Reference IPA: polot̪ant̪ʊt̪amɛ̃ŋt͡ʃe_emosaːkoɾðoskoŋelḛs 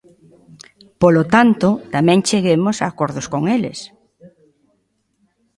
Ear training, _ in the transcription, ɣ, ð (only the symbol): ɣ